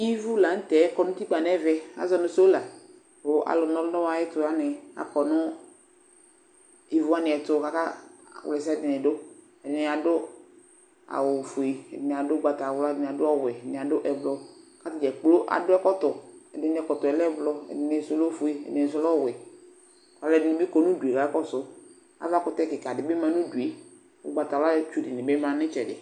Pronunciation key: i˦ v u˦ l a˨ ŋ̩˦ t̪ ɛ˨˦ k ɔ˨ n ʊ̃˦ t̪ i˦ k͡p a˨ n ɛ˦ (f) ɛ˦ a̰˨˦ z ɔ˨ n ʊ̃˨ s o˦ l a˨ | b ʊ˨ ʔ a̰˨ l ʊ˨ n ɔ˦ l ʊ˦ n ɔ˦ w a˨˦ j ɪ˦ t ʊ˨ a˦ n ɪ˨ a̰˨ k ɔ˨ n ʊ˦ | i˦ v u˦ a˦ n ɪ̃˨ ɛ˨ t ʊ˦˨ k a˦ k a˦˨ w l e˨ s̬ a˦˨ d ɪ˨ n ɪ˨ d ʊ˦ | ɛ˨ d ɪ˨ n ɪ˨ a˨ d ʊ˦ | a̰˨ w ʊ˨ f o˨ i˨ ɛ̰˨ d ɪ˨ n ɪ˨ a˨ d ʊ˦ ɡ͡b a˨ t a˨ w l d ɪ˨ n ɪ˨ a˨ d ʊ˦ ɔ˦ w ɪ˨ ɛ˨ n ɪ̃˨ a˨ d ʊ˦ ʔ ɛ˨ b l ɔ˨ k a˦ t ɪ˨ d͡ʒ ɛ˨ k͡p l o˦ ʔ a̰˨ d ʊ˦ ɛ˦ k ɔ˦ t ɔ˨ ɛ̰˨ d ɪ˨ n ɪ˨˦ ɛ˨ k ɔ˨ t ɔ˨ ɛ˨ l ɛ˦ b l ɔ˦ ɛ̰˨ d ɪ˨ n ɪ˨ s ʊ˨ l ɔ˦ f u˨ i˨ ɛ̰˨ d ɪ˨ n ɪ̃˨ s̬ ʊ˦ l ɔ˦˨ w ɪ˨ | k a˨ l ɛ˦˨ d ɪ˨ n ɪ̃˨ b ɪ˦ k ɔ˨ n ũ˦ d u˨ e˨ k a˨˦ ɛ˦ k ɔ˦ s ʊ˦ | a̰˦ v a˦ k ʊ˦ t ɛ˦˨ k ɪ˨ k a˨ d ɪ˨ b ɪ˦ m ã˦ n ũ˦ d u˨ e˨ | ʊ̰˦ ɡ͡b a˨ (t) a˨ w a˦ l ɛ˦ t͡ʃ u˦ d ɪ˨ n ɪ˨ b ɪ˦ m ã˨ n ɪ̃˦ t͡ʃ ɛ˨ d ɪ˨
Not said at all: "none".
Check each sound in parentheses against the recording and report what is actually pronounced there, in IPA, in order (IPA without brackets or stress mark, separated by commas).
v, t